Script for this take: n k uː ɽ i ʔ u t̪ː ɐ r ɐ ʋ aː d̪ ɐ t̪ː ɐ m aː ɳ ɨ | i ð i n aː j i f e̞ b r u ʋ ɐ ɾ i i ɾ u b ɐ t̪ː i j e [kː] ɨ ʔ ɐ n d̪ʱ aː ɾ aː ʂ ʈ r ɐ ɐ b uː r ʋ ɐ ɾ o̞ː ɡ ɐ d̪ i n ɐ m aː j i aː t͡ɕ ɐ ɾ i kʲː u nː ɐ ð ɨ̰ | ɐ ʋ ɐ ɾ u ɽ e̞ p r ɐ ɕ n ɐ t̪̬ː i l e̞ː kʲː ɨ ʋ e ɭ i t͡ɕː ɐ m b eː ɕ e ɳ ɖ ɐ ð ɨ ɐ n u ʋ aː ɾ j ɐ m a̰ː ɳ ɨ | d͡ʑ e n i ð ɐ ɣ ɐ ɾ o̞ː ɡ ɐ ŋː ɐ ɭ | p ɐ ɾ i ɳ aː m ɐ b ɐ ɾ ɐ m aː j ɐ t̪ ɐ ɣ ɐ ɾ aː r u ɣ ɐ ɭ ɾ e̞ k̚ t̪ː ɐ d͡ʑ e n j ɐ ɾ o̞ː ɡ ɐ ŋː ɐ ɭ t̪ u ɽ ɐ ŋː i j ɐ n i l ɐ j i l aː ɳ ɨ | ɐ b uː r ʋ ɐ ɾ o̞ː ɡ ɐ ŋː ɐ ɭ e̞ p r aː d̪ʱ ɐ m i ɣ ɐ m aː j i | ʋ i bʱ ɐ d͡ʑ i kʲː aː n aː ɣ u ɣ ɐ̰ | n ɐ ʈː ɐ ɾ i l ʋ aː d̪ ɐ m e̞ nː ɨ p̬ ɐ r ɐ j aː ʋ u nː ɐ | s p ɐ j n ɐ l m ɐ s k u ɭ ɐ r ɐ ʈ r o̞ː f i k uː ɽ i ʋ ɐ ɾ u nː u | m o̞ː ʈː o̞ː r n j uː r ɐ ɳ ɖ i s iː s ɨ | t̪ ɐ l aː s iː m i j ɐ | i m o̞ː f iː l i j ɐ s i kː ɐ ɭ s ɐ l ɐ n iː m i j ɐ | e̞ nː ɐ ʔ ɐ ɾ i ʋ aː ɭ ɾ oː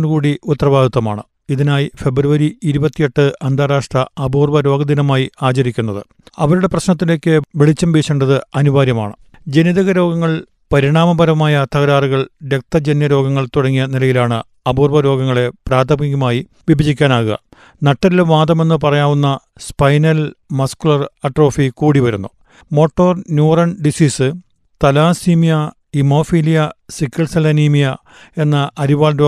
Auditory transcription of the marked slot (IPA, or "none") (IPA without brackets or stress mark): ʈː